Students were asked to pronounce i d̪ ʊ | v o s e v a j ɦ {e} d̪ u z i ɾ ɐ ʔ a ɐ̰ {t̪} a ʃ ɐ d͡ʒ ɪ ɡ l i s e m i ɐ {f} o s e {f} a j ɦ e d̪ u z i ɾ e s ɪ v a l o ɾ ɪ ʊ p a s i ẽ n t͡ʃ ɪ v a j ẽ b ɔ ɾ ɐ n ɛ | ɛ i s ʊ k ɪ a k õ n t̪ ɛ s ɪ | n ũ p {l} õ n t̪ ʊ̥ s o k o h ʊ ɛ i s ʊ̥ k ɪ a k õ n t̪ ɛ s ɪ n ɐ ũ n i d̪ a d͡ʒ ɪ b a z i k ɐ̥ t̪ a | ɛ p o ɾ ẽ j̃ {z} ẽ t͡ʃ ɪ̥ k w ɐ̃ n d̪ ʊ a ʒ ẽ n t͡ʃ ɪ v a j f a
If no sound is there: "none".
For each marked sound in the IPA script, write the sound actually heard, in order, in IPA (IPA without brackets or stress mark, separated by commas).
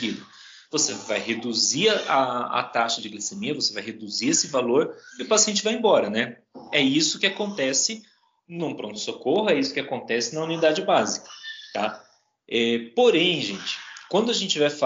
e, t̪, v, v, ɾ, ʒ